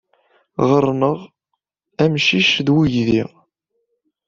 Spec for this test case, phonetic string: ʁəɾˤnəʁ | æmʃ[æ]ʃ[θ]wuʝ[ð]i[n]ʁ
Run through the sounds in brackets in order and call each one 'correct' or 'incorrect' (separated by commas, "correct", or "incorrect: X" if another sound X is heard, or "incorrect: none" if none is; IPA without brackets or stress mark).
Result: incorrect: i, incorrect: ð, correct, incorrect: none